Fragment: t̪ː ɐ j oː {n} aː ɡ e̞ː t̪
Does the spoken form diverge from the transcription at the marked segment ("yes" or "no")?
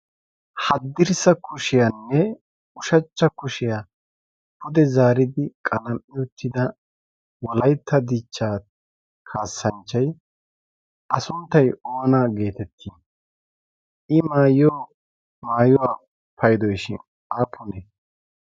no